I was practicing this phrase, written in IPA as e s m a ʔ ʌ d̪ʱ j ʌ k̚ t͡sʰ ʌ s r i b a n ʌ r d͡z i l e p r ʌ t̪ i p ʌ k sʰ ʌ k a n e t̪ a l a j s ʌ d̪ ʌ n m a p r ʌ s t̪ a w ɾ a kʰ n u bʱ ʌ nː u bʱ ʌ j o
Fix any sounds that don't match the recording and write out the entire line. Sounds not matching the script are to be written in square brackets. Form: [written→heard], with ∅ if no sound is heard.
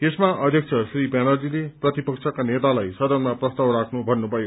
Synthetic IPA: e s m a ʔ ʌ d̪ʱ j ʌ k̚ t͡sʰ ʌ s r i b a n ʌ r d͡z i l e p r ʌ t̪ i p ʌ k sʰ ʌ k a n e t̪ a l a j s ʌ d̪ ʌ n m a p r ʌ s t̪ a w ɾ a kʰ n u bʱ ʌ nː u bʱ ʌ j o